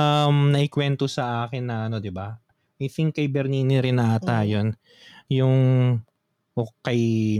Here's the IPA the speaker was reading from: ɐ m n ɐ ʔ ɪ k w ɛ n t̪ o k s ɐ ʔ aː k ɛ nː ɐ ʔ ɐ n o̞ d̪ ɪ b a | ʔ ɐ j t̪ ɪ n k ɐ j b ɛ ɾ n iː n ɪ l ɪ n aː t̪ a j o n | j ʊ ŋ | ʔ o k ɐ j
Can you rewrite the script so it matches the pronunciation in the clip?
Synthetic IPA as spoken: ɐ m n ɐ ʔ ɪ k w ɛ n t̪ o s ɐ ʔ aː k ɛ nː ɐ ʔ ɐ n o̞ d̪ ɪ b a | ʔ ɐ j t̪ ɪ ŋ k ɐ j b ɛ ɾ n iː n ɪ ɾ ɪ n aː t̪ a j o n | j ʊ ŋ | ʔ o k ɐ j